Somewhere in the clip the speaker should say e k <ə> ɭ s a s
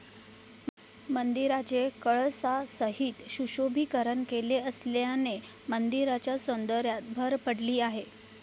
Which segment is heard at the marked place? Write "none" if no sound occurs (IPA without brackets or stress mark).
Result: ə